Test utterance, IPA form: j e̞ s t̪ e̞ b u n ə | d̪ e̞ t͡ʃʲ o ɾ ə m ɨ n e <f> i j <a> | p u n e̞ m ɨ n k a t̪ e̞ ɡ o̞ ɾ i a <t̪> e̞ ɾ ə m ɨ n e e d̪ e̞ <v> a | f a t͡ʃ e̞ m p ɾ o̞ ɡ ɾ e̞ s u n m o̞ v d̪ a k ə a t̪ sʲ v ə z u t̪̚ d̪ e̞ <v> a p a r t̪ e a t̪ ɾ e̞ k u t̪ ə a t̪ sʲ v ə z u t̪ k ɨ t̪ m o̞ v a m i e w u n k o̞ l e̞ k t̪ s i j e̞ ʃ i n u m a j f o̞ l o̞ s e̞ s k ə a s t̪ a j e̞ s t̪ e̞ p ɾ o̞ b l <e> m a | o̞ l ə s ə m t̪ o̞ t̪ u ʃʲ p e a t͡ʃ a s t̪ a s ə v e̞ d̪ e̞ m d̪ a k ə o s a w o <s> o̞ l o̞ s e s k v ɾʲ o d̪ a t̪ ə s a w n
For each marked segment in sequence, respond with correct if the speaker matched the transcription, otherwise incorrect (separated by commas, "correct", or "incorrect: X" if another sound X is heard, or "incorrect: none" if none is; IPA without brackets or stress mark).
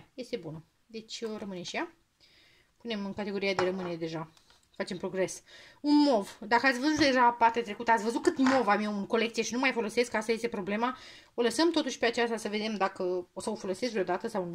incorrect: ʃ, correct, incorrect: d̪, incorrect: ʒ, incorrect: ʒ, correct, incorrect: f